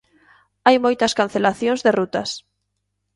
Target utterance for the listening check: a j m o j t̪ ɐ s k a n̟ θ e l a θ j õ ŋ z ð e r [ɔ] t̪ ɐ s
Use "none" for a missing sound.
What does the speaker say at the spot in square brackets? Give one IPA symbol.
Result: u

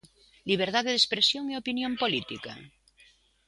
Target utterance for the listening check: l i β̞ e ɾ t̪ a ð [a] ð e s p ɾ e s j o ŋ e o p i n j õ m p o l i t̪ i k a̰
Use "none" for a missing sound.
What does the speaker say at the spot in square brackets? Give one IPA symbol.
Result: e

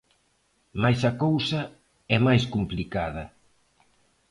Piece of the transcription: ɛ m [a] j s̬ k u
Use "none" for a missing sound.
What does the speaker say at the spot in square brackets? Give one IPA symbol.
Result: a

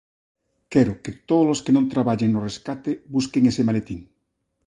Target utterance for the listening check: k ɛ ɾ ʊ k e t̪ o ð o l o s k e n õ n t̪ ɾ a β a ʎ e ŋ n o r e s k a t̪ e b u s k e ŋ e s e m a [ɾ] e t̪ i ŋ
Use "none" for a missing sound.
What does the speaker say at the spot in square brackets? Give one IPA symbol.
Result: l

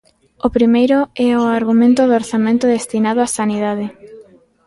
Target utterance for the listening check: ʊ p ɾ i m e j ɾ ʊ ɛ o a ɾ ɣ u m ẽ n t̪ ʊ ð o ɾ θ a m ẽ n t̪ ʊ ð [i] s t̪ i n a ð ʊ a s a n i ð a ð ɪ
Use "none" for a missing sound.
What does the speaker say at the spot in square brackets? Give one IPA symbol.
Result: e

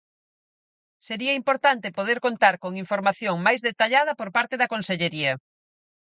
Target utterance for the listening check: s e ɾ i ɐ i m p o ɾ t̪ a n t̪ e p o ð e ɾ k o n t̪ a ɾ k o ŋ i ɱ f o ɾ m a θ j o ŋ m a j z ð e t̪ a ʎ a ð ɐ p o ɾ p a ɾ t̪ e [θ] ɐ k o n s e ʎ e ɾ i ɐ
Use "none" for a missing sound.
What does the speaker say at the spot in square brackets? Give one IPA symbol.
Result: ð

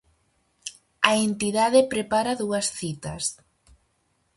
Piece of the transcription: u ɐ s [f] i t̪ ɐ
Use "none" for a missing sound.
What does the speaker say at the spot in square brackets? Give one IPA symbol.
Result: θ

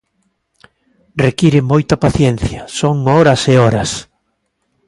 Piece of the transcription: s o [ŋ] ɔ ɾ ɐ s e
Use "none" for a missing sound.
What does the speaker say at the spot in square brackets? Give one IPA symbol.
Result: ŋ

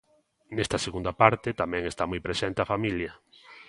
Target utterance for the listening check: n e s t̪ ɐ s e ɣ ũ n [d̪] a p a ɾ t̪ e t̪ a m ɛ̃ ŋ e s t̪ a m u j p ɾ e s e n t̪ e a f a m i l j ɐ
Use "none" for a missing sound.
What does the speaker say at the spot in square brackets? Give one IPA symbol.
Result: d̪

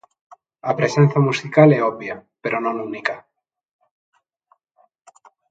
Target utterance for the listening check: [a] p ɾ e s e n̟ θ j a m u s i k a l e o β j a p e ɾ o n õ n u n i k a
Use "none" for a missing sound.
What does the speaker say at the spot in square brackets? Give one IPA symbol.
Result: a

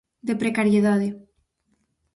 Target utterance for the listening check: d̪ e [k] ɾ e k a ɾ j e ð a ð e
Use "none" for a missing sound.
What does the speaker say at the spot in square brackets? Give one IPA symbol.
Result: p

